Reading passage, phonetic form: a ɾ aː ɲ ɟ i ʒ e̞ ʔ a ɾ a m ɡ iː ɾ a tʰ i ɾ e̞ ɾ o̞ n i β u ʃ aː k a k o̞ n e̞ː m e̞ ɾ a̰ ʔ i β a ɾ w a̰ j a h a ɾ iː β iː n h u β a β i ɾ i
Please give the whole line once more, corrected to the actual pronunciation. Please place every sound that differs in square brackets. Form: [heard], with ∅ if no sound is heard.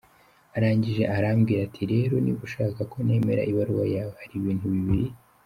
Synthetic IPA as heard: a ɾ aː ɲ ɟ i ʒ e̞ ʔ a ɾ a m ɡ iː ɾ a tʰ i ɾ e̞ ɾ o̞ n i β u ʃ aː k a k o̞ n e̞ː m e̞ ɾ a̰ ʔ i β a ɾ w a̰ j a h a ɾ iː β iː n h u β [i] β i ɾ i